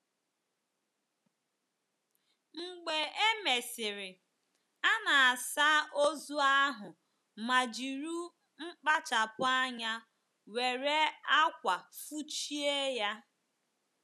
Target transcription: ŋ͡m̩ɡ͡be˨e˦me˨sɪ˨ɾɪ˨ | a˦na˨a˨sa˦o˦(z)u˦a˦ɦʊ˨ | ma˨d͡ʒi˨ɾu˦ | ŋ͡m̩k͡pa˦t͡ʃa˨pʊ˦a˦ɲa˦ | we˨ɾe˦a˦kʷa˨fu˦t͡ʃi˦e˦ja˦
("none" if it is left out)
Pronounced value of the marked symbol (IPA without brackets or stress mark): z